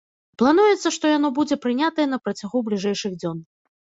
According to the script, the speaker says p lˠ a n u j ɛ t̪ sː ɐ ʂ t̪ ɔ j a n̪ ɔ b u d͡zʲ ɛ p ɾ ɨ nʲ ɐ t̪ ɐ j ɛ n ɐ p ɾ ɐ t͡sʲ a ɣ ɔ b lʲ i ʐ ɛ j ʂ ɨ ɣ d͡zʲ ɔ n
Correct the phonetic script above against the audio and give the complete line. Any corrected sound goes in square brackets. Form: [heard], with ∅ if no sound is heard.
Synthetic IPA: p lˠ a n u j ɛ t̪ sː ɐ ʂ t̪ ɔ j a n̪ ɔ b u d͡zʲ ɛ p ɾ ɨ nʲ [a] t̪ ɐ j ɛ n ɐ p ɾ ɐ t͡sʲ a ɣ [u] b lʲ i ʐ ɛ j ʂ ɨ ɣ d͡zʲ ɔ n